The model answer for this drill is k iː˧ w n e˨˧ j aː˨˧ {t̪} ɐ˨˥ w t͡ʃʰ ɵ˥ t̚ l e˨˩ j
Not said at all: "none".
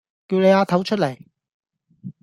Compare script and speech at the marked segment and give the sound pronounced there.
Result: t̪ʰ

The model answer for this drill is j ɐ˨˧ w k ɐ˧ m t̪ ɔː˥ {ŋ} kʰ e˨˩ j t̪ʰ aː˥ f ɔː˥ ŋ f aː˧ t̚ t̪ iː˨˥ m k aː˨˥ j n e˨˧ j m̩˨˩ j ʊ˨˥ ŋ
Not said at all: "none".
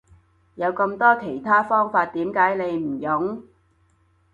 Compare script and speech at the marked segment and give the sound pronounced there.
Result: none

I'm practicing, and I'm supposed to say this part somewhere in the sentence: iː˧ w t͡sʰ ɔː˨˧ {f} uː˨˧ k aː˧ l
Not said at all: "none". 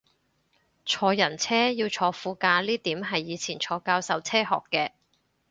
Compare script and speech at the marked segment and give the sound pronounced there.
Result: f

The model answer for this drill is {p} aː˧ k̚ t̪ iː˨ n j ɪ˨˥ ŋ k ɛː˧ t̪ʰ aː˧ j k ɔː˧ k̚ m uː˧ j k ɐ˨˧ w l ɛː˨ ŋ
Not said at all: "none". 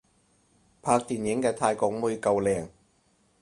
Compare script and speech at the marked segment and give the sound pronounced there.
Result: pʰ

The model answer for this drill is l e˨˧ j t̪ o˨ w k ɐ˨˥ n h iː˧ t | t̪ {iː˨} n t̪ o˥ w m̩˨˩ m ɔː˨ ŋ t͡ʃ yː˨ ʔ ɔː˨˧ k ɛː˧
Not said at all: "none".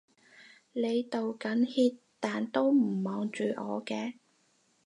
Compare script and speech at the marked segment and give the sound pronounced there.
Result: aː˨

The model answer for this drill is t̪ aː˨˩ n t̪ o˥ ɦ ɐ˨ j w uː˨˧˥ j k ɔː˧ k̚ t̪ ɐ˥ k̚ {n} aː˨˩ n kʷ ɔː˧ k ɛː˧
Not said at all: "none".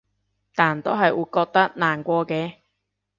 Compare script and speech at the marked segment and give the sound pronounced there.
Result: n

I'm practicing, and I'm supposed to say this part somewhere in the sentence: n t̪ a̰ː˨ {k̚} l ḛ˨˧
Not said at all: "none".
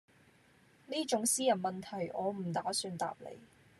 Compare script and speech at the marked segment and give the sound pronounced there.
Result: p̚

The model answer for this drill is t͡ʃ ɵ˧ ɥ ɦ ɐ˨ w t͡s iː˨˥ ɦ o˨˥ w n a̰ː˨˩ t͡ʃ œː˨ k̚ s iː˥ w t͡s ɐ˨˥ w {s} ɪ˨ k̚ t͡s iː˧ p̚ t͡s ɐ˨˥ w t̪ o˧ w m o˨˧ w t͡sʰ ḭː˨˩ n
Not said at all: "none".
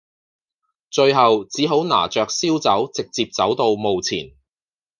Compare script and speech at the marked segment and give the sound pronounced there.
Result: t͡s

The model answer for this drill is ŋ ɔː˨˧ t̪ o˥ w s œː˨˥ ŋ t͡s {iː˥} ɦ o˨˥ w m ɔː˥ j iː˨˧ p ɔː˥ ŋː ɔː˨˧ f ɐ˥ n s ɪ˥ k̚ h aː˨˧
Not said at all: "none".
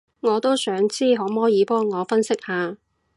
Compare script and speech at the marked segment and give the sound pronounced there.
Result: iː˥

